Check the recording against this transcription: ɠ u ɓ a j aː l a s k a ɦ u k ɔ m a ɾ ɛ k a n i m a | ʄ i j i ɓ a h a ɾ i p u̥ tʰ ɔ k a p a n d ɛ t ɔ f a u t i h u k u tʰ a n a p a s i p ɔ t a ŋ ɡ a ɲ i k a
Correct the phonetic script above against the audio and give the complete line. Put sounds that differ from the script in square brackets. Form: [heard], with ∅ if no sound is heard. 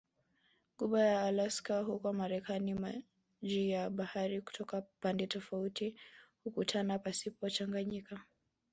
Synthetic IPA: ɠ u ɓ a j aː l a s k a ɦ u k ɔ m a ɾ ɛ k a n i m a | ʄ i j [a] ɓ a h a ɾ i [k] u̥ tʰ ɔ k a p a n d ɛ t ɔ f a u t i h u k u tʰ a n a p a s i p ɔ [t͡ʃ] a ŋ ɡ a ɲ i k a